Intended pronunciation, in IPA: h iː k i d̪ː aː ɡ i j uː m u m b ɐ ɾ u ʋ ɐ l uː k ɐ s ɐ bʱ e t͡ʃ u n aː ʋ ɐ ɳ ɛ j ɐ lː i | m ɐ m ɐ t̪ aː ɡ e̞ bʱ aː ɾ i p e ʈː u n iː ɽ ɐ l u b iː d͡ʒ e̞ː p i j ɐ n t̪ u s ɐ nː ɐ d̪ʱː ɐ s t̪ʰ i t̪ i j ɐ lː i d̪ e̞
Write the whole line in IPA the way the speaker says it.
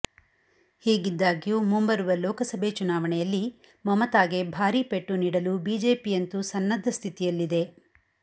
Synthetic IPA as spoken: h iː ɡ i d̪ː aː ɡ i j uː m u m b ɐ ɾ u ʋ ɐ l ɔː k ɐ s ɐ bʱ e t͡ʃ u n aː ʋ ɐ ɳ ɛ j ɐ lː i | m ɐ m ɐ t̪ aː ɡ e̞ bʱ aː ɾ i p e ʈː u n iː ɽ ɐ l u b iː d͡ʒ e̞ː p i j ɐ n t̪ u s ɐ nː ɐ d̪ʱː ɐ s t̪ʰ i t̪ i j ɐ lː i d̪ e̞